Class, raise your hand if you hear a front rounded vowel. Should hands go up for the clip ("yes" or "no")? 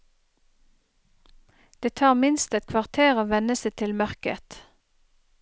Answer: yes